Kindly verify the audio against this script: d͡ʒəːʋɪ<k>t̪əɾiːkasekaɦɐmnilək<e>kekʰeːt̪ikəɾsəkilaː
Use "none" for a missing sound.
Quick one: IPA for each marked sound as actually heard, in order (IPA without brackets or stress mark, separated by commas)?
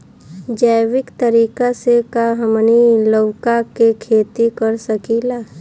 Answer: k, a